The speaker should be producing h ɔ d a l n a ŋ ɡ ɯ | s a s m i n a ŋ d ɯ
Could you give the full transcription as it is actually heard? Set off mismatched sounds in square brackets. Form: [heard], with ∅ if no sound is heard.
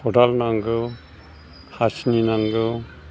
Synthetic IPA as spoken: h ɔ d a l n a ŋ ɡ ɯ | [h] a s [n] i n a ŋ [ɡ] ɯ